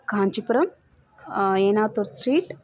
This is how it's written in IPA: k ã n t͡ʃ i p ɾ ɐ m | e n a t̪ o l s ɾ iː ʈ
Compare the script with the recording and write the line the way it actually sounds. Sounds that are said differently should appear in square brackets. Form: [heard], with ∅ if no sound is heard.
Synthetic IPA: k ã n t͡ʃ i p ɾ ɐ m | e n a t̪ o [ɾ] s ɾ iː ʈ